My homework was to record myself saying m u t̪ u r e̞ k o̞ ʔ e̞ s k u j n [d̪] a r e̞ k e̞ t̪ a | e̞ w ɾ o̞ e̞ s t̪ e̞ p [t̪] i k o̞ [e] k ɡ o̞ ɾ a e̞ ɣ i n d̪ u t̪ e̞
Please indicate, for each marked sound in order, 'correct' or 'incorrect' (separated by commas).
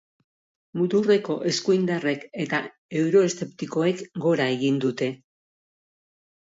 correct, correct, correct